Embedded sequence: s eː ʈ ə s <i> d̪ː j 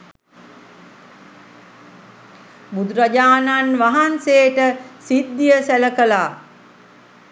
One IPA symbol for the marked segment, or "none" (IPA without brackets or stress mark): i